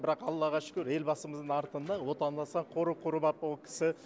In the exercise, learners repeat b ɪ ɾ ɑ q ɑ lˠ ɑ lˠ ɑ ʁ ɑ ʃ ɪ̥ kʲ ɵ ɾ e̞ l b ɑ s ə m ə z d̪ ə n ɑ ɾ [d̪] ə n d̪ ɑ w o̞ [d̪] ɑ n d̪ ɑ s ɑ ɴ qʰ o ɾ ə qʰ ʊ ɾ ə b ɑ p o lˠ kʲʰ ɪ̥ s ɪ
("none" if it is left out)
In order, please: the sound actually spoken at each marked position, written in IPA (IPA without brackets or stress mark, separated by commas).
t̪, t̪